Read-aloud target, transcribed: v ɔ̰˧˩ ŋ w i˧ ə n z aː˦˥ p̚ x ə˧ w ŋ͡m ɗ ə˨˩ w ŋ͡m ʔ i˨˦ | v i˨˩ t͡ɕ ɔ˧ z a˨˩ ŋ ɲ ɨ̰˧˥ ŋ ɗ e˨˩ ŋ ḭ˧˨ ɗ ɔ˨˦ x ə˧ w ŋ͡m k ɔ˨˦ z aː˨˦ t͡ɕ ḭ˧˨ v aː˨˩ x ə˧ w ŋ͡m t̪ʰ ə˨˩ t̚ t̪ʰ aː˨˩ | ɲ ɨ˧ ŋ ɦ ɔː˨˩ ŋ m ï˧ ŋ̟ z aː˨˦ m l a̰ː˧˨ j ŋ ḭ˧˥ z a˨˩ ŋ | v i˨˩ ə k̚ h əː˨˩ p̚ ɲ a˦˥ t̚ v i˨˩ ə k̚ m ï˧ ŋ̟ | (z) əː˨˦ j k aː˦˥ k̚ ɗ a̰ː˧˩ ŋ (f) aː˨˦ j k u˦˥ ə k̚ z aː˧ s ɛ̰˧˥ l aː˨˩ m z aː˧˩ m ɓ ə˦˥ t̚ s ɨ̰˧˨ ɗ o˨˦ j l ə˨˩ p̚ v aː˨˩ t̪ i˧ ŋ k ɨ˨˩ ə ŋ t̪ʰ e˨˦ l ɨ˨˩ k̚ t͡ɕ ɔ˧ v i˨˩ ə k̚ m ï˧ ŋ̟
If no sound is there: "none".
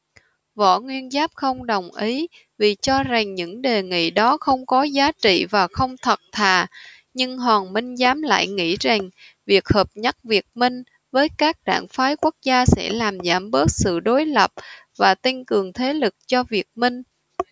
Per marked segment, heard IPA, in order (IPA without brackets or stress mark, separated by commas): v, f